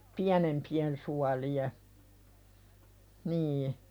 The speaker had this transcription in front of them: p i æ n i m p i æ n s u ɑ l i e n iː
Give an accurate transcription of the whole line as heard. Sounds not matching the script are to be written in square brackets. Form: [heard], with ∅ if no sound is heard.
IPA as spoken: p i æ n [e] m p i [e] n s u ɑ l i e n iː